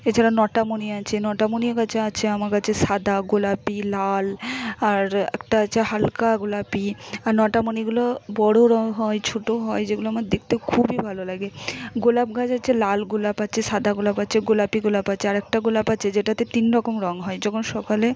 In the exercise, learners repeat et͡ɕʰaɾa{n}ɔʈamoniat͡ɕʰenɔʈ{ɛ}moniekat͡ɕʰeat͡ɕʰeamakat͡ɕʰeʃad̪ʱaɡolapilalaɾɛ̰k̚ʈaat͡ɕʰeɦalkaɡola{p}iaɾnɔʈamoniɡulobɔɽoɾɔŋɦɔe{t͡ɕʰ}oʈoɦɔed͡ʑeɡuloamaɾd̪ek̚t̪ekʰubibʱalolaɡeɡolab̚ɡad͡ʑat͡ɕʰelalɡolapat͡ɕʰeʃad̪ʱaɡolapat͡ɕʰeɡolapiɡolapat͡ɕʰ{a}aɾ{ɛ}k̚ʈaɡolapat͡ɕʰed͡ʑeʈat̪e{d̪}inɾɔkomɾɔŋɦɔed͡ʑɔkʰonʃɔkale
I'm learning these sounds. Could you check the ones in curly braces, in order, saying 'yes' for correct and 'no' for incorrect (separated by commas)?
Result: yes, no, yes, yes, no, yes, no